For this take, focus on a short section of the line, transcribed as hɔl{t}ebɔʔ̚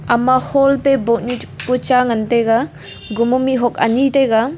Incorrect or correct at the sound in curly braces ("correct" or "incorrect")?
incorrect